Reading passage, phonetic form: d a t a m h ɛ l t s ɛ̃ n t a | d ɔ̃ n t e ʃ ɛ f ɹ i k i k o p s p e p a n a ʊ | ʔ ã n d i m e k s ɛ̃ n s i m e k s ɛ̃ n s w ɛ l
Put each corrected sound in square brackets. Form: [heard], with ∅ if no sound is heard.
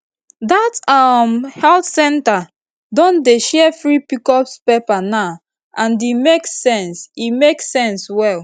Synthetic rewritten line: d a t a m h ɛ l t s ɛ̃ n t a | d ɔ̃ n [d] e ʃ ɛ f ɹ i [p] i k [ɔ] p s p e p a n a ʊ | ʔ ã n d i m e k s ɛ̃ n s i m e k s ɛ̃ n s w ɛ l